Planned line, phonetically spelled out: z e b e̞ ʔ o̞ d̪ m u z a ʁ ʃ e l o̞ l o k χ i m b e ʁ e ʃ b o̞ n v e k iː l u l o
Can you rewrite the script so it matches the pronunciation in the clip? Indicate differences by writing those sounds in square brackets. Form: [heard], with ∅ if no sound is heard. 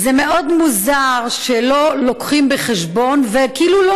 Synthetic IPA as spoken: z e [m] e̞ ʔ o̞ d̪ m u z a ʁ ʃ e l o̞ l o k χ i m b e [χ] e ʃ b o̞ n v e k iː l u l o